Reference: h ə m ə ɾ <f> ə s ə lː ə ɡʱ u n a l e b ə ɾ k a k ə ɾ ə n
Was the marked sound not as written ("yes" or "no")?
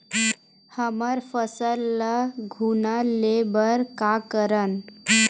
no